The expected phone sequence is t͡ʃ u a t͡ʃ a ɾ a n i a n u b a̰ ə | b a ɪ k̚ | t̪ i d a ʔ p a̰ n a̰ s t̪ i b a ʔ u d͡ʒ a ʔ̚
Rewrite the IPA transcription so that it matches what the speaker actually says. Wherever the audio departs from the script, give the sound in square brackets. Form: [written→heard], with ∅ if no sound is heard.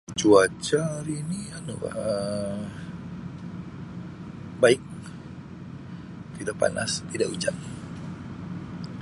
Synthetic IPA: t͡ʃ u a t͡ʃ a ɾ [a→i] n i a n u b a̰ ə | b a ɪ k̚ | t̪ i d a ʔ p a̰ n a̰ s t̪ i [b→d] a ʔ u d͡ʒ a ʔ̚